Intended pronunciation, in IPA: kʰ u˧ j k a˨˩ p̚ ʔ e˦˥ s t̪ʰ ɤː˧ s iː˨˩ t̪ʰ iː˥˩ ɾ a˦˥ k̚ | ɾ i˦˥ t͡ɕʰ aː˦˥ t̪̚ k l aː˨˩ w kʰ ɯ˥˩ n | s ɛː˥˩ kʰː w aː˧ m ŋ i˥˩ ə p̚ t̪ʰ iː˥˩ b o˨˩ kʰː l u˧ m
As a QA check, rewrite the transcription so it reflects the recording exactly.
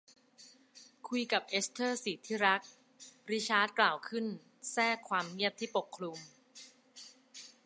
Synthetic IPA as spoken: kʰ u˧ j k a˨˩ p̚ ʔ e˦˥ s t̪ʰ ɤː˥˩ s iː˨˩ t̪ʰ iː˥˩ ɾ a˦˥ k̚ | ɾ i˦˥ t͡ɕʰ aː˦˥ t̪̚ k l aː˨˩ w kʰ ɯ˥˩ n | s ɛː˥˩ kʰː w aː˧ m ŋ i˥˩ ə p̚ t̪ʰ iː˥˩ p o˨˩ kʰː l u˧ m

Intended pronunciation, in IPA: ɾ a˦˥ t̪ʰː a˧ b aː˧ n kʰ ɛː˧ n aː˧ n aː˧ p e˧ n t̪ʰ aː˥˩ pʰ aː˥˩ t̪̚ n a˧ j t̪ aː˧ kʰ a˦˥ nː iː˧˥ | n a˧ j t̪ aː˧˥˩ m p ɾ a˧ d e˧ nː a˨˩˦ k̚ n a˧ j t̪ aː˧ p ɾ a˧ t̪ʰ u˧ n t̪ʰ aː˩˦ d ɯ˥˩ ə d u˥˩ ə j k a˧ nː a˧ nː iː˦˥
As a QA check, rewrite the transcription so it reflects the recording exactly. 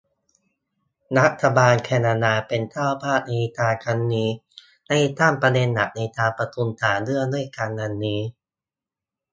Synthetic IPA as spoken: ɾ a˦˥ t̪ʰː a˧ b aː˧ n kʰ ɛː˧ n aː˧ n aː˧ p e˧ n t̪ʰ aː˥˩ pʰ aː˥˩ t̪̚ n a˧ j t̪ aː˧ kʰ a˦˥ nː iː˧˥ | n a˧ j t̪ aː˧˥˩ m p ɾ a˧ d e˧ nː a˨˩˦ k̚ n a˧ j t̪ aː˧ p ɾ a˧ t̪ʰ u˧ n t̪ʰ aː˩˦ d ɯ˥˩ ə d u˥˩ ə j k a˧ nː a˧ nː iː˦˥

